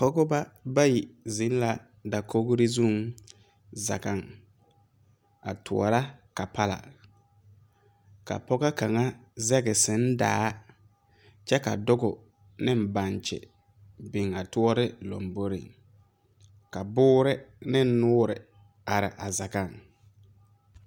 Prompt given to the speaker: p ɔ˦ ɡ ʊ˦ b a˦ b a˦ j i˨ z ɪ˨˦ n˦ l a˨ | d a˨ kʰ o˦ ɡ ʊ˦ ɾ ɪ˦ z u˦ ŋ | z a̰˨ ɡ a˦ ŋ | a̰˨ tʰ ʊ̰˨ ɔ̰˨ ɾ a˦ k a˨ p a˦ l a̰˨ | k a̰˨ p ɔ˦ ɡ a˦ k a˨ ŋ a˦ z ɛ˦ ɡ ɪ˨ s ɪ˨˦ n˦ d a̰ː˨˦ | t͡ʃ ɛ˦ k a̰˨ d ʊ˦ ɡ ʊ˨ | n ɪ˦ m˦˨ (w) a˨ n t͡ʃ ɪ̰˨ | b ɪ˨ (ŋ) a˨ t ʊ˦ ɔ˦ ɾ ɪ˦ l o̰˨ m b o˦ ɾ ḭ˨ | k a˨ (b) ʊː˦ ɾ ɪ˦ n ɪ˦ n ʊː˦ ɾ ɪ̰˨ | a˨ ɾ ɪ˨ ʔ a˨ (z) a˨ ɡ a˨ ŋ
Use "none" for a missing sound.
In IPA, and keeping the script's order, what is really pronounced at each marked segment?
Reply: b, ŋ, b, z

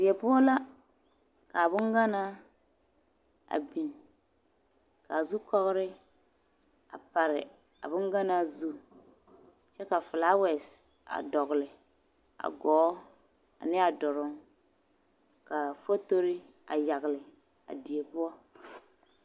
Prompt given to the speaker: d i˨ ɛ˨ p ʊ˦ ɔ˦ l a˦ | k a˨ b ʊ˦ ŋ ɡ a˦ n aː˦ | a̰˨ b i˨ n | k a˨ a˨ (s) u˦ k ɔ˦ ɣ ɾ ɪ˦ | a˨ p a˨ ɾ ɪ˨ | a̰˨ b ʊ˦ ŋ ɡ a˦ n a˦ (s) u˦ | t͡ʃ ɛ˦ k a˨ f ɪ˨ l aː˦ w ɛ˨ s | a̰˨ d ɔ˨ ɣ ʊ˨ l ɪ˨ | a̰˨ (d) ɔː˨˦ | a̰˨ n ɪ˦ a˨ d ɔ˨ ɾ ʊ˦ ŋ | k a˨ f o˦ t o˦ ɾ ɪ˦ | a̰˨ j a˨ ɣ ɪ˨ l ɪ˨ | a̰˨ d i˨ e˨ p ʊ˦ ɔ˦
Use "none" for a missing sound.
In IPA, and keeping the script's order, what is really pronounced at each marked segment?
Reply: z, z, ɡ

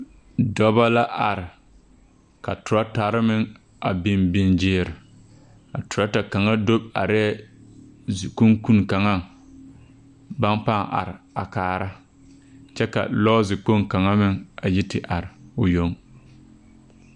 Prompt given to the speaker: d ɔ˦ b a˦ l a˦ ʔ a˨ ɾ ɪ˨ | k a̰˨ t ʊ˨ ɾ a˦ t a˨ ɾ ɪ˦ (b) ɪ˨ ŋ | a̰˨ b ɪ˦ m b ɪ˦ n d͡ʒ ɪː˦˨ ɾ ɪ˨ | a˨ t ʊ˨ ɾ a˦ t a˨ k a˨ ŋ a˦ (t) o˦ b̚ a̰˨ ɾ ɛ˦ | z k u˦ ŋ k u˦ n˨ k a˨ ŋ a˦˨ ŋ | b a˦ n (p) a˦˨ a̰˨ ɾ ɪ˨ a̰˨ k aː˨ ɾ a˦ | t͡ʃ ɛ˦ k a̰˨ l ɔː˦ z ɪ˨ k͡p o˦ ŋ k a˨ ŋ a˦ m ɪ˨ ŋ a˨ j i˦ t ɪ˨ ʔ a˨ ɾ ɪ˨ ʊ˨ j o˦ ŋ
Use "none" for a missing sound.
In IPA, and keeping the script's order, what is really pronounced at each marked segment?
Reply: m, d, p

